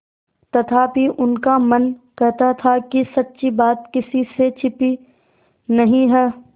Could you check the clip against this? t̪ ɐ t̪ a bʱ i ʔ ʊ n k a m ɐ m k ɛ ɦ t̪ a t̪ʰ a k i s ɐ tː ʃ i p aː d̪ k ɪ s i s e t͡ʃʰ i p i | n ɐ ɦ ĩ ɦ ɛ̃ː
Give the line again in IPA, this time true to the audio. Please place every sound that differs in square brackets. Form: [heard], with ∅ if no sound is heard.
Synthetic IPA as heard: t̪ ɐ [t̪ʰ] a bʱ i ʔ ʊ n k a m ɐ [n] k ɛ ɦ t̪ a t̪ʰ a k i s ɐ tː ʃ i [b] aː [t̪] k ɪ s i s e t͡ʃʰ [ɪ] p i | n ɐ ɦ ĩ ɦ [ɛː]

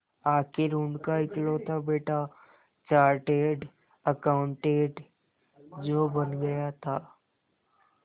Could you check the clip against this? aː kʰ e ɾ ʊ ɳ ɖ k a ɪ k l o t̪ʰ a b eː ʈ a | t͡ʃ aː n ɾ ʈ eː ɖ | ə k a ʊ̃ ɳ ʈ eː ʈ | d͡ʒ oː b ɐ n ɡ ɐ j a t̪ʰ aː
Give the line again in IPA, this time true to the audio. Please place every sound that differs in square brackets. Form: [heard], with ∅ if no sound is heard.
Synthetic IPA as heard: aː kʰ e ɾ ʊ ɳ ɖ k a ɪ k l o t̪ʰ a b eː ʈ a | t͡ʃ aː [∅] ɾ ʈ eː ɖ | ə k a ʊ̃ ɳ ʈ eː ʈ | d͡ʒ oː b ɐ n ɡ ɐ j a t̪ʰ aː

